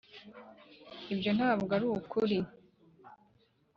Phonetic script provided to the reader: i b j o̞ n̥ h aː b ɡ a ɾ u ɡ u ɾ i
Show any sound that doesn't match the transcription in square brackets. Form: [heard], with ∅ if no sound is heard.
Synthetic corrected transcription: i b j o̞ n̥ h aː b ɡ a ɾ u [k] u ɾ i